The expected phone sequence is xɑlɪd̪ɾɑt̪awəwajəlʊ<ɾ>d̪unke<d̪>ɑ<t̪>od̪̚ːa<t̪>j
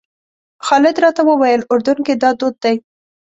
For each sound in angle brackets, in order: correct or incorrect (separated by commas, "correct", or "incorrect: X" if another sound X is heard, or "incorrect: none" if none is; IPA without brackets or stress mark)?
correct, correct, incorrect: d̪, incorrect: none